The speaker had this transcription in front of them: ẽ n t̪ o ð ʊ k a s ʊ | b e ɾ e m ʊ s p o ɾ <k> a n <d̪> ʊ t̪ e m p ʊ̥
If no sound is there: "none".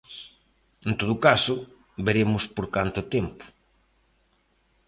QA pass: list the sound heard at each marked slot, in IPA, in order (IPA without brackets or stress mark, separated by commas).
k, t̪